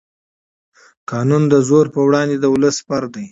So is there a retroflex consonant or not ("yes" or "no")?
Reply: yes